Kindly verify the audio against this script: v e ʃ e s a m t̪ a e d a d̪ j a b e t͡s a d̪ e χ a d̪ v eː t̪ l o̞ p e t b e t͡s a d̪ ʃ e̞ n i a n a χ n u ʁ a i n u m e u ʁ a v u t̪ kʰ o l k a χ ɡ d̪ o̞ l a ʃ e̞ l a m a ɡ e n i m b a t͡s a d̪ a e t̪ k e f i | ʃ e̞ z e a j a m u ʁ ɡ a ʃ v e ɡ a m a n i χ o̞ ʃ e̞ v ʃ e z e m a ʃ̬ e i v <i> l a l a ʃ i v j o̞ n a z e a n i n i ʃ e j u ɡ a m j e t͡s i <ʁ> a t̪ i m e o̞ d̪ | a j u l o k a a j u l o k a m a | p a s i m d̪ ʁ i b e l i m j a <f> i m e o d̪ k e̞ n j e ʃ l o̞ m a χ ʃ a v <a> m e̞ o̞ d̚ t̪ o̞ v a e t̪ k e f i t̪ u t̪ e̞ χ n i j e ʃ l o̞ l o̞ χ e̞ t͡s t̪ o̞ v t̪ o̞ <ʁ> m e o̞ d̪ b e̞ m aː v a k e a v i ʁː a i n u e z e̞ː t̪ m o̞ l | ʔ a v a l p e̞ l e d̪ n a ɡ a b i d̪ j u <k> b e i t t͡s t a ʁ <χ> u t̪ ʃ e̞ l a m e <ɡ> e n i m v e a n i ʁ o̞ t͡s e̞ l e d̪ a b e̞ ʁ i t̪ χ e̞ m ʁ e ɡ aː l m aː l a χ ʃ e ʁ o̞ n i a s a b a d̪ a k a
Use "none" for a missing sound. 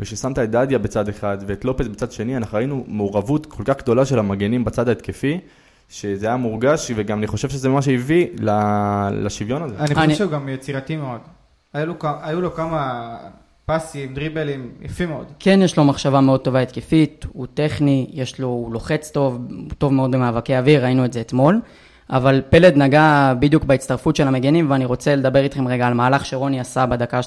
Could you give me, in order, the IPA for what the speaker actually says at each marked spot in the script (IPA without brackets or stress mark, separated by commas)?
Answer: i, ʁ, f, a, v, k, f, ɡ